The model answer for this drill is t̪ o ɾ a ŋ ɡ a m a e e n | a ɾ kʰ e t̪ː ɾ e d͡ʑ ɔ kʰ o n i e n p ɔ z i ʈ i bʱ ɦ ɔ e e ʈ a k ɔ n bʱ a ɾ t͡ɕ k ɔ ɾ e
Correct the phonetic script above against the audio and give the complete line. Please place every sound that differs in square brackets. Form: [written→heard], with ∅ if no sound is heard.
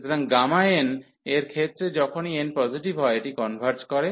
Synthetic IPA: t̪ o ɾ a ŋ ɡ a m a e e n | [a→e] ɾ kʰ e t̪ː ɾ e d͡ʑ ɔ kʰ o n i e n p ɔ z i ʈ i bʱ ɦ ɔ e e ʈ [a→i] k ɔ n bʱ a ɾ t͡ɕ k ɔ ɾ e

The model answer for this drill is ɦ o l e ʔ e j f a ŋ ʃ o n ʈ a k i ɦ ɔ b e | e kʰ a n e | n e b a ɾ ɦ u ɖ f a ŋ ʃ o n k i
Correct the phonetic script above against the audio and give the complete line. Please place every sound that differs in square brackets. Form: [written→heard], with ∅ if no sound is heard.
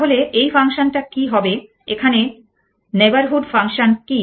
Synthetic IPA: ɦ o l e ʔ e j f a ŋ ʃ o n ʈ a k i ɦ ɔ b e | e kʰ a n e | n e b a ɾ ɦ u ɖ f a ŋ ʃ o n k i

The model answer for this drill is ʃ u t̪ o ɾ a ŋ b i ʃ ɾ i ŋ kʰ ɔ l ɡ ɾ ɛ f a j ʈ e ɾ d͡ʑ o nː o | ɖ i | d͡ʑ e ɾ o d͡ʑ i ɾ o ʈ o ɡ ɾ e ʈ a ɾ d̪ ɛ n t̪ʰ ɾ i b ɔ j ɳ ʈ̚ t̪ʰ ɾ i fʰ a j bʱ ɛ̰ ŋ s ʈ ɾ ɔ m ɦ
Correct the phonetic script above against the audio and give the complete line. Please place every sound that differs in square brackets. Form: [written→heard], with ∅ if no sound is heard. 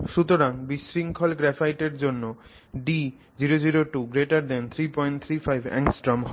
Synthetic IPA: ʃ u t̪ o ɾ a ŋ b i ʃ ɾ i ŋ kʰ ɔ l ɡ ɾ ɛ f a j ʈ e ɾ d͡ʑ o nː o | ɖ i | d͡ʑ [e→i] ɾ o d͡ʑ i ɾ o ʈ [o→u] ɡ ɾ e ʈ a ɾ d̪ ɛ n t̪ʰ ɾ i [b→p] ɔ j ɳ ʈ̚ t̪ʰ ɾ i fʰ a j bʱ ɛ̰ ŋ s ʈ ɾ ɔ m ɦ

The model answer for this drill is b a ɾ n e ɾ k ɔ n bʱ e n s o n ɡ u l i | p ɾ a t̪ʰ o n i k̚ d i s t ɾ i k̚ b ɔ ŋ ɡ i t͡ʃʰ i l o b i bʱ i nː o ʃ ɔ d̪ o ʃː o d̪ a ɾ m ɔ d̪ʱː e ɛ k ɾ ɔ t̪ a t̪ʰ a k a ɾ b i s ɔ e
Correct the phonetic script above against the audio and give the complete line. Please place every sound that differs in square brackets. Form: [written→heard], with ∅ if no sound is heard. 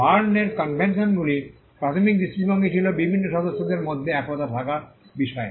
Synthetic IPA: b a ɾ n e ɾ k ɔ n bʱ e n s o n ɡ u l i | p ɾ a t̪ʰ o [n→m] i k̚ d i s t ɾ i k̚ b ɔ ŋ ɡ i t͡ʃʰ i l o b i bʱ i nː o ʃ ɔ d̪ o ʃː o d̪ [a→e] ɾ m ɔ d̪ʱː e ɛ k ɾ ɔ t̪ a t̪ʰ a k a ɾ b i [s→ʃ] ɔ e

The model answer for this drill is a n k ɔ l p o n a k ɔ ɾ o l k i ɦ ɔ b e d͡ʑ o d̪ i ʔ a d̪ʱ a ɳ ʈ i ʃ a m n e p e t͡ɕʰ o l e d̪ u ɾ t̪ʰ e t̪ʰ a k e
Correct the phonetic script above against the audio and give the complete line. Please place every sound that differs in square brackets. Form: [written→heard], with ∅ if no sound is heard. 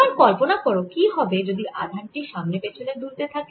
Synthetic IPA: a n k ɔ l p o n a k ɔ ɾ o [l→∅] k i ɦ ɔ b e d͡ʑ o d̪ i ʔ a d̪ʱ a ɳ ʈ i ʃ a m n e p e t͡ɕʰ o l e d̪ u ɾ [t̪ʰ→t̪] e t̪ʰ a k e

